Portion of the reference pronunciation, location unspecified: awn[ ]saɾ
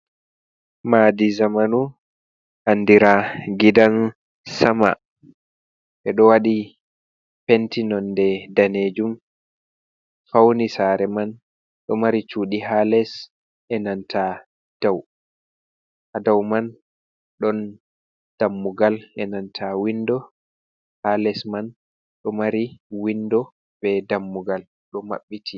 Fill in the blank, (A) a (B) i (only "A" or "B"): B